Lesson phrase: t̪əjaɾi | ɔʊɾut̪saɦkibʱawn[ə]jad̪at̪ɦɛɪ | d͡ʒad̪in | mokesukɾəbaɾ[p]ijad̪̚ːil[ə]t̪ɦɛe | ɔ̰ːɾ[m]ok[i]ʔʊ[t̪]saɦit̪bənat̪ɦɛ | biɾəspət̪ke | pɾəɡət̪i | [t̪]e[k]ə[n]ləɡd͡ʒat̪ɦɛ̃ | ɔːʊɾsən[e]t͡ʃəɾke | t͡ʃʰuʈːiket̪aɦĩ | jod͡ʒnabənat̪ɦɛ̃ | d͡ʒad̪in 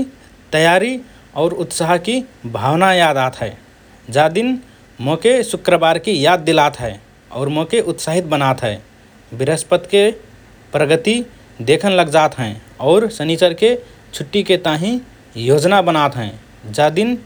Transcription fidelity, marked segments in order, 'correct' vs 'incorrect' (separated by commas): incorrect, incorrect, incorrect, correct, incorrect, correct, incorrect, incorrect, correct, incorrect